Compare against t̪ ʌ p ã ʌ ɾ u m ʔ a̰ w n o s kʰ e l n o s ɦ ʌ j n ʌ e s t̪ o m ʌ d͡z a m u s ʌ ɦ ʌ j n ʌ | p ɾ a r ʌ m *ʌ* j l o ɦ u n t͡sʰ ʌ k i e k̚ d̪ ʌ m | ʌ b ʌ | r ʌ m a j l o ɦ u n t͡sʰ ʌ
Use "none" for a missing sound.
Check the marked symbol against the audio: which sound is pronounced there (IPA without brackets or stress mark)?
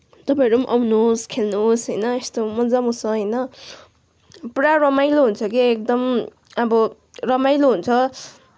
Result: a